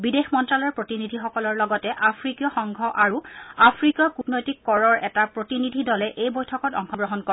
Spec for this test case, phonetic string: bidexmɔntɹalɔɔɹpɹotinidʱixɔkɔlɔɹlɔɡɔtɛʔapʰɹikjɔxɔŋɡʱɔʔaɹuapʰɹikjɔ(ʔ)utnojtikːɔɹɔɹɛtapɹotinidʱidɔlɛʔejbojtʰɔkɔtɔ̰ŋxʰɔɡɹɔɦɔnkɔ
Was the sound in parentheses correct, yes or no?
no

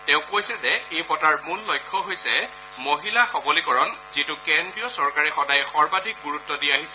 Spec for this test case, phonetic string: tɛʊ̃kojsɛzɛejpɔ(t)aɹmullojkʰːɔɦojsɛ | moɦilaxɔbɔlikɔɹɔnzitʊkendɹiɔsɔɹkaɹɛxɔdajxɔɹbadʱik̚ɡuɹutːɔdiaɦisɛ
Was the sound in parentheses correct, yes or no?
yes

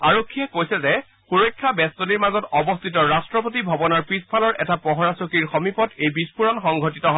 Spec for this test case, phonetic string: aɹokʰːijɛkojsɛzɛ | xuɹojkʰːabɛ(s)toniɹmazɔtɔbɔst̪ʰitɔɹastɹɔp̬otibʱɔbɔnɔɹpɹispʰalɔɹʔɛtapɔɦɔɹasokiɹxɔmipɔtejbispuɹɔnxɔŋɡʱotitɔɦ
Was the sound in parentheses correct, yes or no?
yes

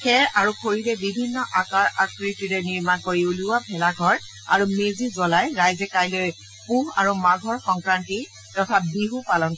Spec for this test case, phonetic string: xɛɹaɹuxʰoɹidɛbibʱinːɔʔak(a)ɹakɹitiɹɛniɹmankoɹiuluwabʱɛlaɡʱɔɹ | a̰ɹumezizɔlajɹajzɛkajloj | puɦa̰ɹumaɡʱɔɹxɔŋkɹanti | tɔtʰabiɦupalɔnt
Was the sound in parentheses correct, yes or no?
yes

